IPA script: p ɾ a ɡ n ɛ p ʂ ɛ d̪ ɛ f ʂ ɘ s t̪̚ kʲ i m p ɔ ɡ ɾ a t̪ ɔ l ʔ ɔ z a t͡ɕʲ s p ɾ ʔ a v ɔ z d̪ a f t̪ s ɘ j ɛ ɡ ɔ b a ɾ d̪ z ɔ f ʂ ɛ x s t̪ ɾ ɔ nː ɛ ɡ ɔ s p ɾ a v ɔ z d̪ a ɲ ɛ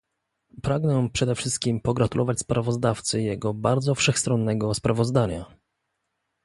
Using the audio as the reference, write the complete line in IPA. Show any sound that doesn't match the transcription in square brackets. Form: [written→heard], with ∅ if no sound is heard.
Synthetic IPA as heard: p ɾ a ɡ n ɛ p ʂ ɛ d̪ ɛ f ʂ ɘ s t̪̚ kʲ i m p ɔ ɡ ɾ a t̪ [ɔ→u] l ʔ ɔ [z→v] a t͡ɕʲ s p ɾ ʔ a v ɔ z d̪ a f t̪ s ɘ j ɛ ɡ ɔ b a ɾ d̪ z ɔ f ʂ ɛ x s t̪ ɾ ɔ nː ɛ ɡ ɔ s p ɾ a v ɔ z d̪ a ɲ [ɛ→a]